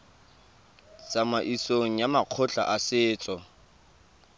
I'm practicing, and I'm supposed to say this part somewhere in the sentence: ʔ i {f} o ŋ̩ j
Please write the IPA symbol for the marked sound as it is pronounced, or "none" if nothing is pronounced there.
s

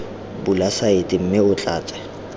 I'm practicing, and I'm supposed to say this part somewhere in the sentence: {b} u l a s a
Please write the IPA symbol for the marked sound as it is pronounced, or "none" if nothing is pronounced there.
b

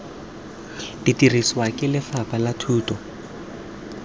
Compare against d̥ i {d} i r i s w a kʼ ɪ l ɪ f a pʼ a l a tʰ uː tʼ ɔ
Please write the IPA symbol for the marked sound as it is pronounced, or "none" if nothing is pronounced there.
t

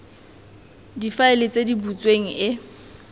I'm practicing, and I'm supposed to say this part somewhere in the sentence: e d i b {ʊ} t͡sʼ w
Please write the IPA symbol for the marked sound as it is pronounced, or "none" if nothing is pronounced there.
u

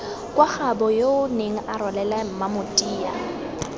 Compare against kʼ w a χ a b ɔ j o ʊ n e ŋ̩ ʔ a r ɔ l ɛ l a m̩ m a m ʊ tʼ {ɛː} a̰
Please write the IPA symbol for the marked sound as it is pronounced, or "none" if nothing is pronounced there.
iː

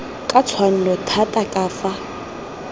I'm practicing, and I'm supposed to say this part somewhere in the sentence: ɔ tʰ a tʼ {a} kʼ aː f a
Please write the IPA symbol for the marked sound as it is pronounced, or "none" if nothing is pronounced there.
a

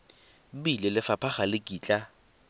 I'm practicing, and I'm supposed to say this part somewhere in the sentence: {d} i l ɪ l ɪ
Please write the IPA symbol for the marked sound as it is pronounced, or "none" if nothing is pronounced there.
b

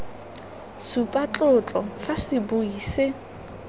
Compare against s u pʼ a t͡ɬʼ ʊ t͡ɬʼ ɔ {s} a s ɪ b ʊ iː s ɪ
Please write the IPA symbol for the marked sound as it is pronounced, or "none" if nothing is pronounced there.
f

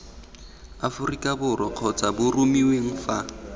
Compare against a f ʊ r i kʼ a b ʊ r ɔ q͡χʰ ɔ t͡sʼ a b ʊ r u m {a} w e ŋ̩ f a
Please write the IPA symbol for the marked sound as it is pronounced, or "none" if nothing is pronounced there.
i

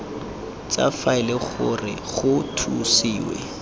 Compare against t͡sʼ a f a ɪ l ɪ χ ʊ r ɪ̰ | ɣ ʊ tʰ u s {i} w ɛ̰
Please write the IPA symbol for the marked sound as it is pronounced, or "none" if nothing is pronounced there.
iː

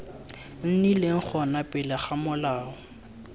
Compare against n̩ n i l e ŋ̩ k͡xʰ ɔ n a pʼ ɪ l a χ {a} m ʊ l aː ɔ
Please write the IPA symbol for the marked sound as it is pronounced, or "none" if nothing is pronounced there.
a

